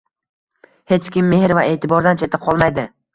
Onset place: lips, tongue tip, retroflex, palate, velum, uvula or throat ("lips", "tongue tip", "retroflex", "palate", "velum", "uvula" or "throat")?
throat